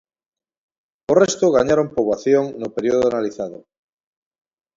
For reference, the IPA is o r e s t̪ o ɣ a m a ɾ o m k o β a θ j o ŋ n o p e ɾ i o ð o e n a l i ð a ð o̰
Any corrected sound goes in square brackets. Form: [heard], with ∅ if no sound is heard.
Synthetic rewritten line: o r e s t̪ o ɣ a [ɲ] a ɾ o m [p] o β a θ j o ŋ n o p e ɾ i o ð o [a] n a l i [θ] a ð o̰